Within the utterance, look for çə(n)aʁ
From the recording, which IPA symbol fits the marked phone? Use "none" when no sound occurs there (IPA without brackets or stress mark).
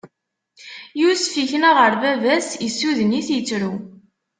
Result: n